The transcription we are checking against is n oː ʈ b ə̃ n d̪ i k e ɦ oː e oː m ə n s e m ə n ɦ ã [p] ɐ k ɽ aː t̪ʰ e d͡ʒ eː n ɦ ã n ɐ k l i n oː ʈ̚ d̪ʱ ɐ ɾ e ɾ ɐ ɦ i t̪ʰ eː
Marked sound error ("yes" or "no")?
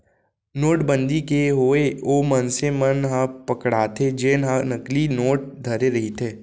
no